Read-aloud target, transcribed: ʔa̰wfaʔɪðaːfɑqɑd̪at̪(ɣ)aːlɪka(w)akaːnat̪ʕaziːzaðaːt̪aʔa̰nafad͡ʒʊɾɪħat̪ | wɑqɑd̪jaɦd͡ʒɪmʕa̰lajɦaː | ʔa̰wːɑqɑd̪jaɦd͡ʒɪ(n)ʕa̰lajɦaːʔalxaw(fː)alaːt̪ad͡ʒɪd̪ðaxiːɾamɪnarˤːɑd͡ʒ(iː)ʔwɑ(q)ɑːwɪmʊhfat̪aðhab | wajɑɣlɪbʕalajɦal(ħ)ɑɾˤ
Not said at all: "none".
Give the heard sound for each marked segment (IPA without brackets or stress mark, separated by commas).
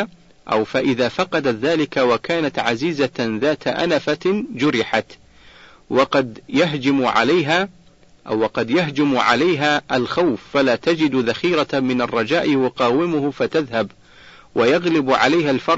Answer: ð, w, m, fː, aː, q, f